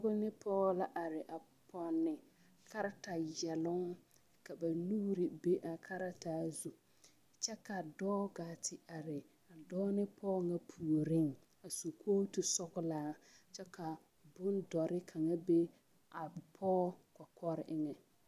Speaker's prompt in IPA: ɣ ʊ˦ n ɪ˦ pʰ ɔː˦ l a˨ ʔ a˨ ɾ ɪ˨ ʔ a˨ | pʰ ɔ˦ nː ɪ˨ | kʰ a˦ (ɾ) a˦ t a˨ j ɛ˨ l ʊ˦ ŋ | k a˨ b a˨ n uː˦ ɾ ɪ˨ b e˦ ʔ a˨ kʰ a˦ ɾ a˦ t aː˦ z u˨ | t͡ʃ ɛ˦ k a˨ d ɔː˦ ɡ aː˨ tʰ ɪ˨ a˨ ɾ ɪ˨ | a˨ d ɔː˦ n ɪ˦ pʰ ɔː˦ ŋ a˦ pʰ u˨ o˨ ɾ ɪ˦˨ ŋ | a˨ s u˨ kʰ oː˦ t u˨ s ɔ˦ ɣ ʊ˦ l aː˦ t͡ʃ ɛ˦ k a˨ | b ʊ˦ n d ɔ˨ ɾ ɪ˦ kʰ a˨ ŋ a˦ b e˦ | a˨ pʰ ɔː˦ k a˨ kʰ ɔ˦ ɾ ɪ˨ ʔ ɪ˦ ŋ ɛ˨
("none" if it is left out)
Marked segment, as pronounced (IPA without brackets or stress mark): ɾ